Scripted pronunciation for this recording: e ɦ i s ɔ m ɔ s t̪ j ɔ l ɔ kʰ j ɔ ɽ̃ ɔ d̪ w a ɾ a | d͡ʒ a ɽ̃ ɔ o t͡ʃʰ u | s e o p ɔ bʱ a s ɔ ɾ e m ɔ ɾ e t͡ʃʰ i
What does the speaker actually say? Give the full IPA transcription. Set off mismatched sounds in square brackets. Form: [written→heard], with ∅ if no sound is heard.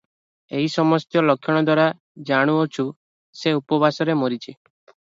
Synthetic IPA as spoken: e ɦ i s ɔ m ɔ s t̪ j ɔ l ɔ kʰ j ɔ ɽ̃ ɔ d̪ w a ɾ a | d͡ʒ a ɽ̃ [ɔ→u] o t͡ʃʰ u | s e [o→u] p ɔ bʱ a s ɔ ɾ e m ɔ ɾ [e→i] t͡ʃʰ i